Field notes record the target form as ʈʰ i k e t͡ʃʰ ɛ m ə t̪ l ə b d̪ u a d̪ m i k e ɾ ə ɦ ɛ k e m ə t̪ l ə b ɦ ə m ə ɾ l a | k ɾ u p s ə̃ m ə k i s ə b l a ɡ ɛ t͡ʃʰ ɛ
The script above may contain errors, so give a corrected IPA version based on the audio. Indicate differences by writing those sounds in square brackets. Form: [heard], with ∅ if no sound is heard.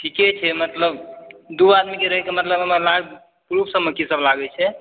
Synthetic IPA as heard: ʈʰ i k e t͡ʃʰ ɛ m ə t̪ l ə b d̪ u a d̪ m i k e ɾ ə ɦ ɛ k e m ə t̪ l ə b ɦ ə m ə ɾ l a | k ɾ u p s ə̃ m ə k i s ə b l a ɡ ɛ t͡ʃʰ ɛ